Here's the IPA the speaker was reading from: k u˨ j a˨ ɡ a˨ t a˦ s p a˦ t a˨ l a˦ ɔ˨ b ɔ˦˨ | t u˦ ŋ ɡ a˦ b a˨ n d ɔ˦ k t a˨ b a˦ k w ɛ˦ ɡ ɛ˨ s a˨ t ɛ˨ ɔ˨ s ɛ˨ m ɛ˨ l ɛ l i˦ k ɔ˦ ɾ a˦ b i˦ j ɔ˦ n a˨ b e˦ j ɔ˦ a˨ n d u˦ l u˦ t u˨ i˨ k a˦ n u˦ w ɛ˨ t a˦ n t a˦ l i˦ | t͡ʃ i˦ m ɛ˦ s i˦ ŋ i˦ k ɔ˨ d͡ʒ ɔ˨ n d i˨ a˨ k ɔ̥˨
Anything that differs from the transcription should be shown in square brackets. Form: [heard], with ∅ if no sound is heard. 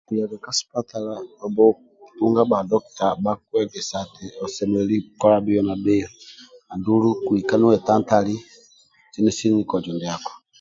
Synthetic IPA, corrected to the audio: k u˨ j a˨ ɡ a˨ [k] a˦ s p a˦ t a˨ l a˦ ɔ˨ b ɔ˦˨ | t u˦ ŋ ɡ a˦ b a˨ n d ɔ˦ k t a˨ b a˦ k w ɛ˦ ɡ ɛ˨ s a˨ t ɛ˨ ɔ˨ s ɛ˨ m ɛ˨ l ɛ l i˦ k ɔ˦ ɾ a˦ b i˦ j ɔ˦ n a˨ b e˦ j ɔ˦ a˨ n d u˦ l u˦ [k] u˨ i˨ k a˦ n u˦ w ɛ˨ t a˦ n t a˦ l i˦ | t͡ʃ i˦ [n] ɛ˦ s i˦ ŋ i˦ k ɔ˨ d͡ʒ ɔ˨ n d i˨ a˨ k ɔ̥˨